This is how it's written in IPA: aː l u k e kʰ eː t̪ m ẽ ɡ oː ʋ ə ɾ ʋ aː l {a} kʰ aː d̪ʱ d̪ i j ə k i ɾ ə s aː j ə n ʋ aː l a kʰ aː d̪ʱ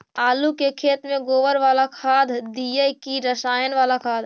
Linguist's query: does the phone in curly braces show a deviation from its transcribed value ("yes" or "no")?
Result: no